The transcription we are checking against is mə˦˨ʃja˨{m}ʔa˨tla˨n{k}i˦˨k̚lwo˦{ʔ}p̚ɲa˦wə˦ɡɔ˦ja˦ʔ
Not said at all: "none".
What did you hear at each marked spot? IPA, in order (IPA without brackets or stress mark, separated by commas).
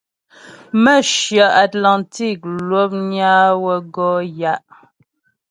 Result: none, t, none